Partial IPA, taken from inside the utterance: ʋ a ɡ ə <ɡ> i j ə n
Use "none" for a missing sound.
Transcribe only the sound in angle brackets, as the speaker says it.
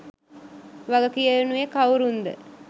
k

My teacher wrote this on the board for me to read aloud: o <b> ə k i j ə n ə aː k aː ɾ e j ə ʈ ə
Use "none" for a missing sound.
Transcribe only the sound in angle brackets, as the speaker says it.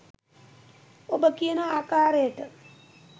b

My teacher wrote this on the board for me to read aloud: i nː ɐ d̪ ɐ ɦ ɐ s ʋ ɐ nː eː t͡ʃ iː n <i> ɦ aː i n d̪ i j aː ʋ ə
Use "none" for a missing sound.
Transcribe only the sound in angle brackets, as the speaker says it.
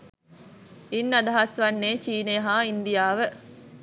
e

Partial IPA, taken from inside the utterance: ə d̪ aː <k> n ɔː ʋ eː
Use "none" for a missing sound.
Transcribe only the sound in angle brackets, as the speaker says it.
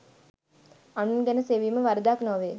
k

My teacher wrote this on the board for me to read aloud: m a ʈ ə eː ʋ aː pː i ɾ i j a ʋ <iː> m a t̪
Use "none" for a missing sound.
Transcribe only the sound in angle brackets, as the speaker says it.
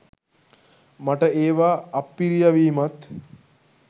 iː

